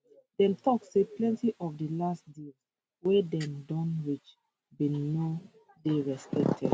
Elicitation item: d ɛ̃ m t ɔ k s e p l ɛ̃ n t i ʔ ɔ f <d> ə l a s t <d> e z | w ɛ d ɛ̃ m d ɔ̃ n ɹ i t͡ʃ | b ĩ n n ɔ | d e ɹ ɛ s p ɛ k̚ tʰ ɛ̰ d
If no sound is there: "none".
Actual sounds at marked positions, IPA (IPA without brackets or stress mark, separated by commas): d, d